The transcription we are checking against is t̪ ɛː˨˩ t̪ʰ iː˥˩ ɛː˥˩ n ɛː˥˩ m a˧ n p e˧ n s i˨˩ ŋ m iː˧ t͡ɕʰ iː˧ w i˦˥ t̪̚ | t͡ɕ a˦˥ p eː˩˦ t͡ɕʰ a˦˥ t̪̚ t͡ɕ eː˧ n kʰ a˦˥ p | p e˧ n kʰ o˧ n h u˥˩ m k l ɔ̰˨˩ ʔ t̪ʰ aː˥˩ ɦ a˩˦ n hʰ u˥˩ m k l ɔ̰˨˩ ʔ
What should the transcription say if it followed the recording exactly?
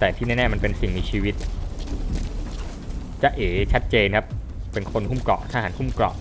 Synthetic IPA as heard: t̪ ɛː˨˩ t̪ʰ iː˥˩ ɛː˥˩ n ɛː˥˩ m a˧ n p e˧ n s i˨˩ ŋ m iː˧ t͡ɕʰ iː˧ w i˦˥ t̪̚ | t͡ɕ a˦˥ ʔ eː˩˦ t͡ɕʰ a˦˥ t̪̚ t͡ɕ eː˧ n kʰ a˦˥ p | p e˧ n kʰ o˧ n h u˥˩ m k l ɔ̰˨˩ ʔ t̪ʰ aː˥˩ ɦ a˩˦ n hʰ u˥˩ m k l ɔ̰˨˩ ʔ